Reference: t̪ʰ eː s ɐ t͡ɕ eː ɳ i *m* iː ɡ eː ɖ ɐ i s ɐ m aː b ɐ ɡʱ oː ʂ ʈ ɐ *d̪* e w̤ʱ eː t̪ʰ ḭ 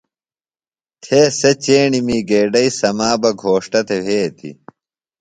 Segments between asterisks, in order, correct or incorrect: correct, incorrect: t̪

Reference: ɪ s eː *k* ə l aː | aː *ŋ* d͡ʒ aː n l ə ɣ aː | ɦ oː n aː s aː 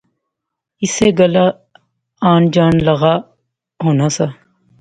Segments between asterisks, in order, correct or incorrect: incorrect: ɡ, incorrect: n

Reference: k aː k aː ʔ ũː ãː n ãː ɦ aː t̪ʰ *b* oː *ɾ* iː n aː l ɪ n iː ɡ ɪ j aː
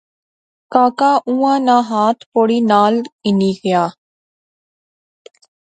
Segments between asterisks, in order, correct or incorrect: incorrect: p, incorrect: ɽ

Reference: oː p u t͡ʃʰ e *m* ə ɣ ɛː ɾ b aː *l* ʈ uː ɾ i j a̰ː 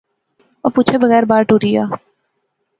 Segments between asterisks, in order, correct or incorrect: incorrect: b, incorrect: ɾ

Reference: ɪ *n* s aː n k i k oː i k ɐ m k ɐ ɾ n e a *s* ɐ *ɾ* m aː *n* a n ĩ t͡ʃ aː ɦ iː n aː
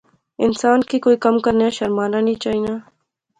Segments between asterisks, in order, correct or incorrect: correct, incorrect: ʃ, correct, correct

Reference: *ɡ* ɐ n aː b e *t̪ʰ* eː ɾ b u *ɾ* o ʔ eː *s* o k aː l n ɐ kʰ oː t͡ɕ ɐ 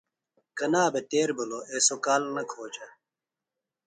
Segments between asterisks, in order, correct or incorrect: incorrect: k, incorrect: t̪, incorrect: l, correct

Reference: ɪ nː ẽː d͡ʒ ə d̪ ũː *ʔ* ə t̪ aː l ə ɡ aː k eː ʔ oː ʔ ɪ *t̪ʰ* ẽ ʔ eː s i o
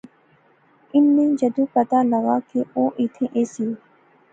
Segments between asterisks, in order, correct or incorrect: incorrect: p, correct

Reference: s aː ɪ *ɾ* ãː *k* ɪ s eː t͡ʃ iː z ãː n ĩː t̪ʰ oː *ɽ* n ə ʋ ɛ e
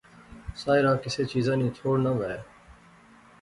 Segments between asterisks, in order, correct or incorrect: correct, correct, correct

